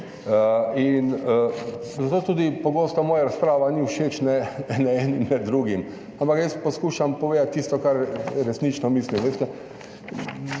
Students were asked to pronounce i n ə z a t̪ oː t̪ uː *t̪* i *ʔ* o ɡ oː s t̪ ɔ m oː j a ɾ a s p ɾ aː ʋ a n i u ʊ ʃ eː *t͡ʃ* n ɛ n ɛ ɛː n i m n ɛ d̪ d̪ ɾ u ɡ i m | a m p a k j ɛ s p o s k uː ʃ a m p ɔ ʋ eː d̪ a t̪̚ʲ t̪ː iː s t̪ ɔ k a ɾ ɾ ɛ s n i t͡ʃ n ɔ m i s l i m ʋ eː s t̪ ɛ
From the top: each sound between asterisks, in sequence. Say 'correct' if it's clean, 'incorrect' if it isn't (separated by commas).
incorrect, incorrect, correct